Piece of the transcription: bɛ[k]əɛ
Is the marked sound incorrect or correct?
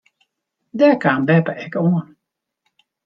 incorrect